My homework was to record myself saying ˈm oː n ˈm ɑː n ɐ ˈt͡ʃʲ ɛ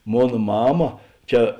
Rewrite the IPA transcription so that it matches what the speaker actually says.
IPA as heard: ˈm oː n ˈm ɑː m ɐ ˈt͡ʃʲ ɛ